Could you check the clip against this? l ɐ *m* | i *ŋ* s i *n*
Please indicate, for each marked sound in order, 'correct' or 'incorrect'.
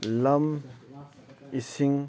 correct, incorrect: none, incorrect: ŋ

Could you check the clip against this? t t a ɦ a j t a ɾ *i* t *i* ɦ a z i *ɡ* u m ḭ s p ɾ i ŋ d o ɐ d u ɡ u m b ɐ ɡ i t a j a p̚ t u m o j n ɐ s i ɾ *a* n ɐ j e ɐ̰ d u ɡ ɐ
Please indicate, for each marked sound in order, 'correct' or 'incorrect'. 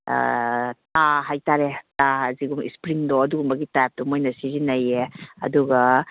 incorrect: e, incorrect: a, correct, incorrect: i

